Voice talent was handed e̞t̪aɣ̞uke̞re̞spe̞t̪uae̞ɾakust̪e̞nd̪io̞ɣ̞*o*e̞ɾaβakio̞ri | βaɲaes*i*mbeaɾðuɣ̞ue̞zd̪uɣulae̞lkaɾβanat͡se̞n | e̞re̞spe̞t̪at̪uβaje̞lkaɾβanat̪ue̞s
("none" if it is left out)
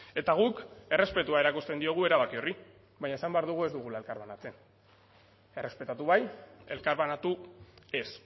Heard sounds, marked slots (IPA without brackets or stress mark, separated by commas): u, a